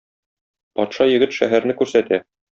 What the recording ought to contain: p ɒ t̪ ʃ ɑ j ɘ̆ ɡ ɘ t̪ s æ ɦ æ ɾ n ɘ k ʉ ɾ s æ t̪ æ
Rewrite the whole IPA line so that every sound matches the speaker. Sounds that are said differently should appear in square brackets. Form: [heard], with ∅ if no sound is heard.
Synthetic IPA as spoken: p ɒ t̪ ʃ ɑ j ɘ̆ ɡ ɘ t̪ [ʃ] æ ɦ æ ɾ n ɘ k ʉ ɾ s æ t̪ æ